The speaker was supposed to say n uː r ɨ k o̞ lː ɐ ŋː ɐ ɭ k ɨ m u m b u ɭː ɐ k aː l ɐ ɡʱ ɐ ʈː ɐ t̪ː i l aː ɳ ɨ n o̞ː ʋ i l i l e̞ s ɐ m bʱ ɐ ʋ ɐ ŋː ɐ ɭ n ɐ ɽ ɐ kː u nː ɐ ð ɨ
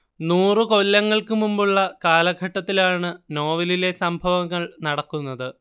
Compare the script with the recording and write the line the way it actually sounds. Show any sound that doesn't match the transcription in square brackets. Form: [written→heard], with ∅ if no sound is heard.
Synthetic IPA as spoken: n uː r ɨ k o̞ lː ɐ ŋː ɐ ɭ k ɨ m u m b u ɭː ɐ k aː l ɐ ɡʱ ɐ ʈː ɐ t̪ː i l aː ɳ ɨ n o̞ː ʋ i l i l e̞ s ɐ m bʱ ɐ ʋ ɐ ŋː ɐ ɭ n ɐ ɽ ɐ kː u nː ɐ ð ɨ